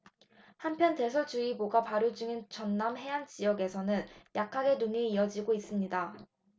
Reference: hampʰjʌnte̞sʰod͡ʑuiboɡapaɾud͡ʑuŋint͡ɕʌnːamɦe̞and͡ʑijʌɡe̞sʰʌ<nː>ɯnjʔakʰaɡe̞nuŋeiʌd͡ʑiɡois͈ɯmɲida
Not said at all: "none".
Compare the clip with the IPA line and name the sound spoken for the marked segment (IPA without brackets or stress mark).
n